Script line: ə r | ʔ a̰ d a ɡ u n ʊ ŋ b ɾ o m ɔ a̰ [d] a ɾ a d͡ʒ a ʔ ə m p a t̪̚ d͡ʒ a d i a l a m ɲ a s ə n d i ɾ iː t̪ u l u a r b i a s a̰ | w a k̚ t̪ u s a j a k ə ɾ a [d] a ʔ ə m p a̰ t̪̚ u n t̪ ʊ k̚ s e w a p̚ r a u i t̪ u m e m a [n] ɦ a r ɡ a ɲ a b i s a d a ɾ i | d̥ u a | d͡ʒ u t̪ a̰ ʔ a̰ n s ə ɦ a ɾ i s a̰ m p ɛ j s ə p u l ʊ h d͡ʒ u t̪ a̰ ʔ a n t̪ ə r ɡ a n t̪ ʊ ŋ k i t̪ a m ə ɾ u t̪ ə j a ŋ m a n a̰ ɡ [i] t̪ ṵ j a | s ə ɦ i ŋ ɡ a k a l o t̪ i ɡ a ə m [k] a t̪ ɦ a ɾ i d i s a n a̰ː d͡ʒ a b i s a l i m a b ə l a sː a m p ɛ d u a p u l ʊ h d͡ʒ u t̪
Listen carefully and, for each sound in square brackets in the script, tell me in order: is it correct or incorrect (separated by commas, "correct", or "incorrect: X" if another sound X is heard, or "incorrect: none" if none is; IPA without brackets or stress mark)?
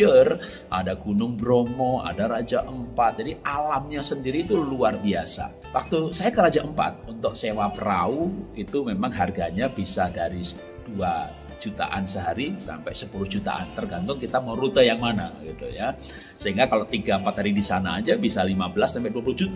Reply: correct, incorrect: d͡ʒ, incorrect: ŋ, correct, incorrect: p